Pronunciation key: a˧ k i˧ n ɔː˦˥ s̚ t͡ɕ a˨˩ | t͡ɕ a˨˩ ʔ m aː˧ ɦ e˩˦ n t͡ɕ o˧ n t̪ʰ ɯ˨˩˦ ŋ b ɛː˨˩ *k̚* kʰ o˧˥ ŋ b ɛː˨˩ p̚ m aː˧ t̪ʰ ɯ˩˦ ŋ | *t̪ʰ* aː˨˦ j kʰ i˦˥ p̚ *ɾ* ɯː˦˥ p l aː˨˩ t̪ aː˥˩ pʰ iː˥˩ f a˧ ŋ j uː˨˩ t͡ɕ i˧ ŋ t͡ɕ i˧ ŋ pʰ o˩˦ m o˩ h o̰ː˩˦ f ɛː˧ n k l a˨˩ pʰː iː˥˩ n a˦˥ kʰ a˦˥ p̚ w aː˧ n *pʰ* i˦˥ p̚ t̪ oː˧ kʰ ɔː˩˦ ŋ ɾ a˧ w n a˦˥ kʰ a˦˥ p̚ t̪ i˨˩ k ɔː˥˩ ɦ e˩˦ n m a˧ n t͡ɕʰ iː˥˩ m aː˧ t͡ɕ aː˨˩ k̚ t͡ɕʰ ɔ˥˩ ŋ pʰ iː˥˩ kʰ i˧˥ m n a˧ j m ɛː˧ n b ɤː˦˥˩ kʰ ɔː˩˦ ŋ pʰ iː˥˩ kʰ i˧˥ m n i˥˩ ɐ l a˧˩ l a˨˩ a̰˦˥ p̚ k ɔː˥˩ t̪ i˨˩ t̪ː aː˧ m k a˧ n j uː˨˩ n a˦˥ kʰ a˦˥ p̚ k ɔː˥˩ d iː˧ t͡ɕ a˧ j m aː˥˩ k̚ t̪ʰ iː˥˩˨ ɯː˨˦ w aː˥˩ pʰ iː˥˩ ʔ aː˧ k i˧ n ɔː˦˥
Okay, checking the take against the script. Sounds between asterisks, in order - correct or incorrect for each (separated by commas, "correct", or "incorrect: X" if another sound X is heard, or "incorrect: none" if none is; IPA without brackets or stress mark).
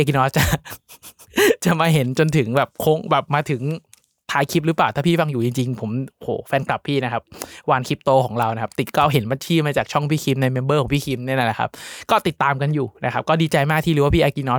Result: incorrect: p̚, correct, correct, incorrect: kʰ